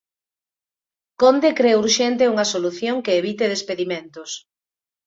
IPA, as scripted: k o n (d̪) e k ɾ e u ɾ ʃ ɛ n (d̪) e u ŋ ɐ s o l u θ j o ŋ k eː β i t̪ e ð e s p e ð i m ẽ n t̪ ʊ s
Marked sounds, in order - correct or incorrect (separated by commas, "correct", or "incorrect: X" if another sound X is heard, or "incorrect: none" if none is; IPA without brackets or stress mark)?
correct, incorrect: t̪